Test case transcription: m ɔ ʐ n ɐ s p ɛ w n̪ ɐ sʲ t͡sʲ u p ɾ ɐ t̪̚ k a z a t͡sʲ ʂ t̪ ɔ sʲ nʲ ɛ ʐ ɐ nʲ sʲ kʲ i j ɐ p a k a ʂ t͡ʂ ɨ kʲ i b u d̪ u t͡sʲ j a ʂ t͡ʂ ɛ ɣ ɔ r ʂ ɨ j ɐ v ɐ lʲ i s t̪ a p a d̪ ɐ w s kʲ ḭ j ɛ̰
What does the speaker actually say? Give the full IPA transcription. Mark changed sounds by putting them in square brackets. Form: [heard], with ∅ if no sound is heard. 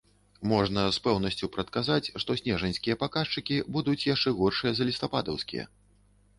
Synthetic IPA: m ɔ ʐ n ɐ s p ɛ w n̪ ɐ sʲ t͡sʲ u p ɾ ɐ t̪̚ k a z a t͡sʲ ʂ t̪ ɔ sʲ nʲ ɛ ʐ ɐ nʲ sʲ kʲ i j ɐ p a k a ʂ t͡ʂ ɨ kʲ i b u d̪ u t͡sʲ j a ʂ t͡ʂ ɛ ɣ ɔ r ʂ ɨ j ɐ [z] ɐ lʲ i s t̪ a p a d̪ ɐ w s kʲ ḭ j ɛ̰